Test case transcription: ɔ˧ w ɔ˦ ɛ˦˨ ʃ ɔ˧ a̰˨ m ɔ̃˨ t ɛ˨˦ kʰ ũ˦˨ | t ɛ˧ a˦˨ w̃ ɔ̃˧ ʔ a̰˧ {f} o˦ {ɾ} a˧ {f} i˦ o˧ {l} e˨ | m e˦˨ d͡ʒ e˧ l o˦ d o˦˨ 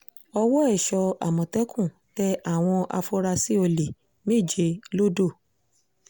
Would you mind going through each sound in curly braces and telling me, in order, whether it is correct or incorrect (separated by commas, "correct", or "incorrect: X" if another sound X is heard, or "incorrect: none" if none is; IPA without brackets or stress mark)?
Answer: correct, correct, incorrect: s, correct